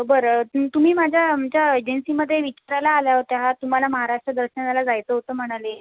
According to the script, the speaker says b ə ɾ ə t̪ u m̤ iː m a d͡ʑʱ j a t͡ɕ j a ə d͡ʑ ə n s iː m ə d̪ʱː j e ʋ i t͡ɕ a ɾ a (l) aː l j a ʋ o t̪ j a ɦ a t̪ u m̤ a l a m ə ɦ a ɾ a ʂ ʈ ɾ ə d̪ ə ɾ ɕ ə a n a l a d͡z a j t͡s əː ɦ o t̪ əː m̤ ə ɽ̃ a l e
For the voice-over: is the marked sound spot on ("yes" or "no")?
yes